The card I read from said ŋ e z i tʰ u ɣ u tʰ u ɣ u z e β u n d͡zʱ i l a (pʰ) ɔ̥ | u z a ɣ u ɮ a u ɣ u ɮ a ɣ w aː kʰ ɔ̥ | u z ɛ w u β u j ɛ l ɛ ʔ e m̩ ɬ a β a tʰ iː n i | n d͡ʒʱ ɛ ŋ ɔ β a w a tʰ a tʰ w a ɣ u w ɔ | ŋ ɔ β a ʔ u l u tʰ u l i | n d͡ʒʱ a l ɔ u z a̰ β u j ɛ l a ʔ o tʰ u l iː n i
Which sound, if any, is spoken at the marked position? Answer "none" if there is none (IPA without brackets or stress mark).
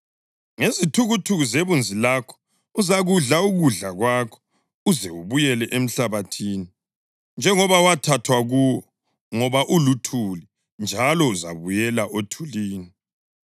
kʰ